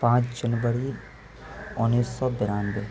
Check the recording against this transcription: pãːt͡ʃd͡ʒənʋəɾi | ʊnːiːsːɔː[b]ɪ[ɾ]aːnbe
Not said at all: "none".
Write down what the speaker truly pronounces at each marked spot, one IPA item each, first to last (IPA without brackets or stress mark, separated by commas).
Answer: b, ɾ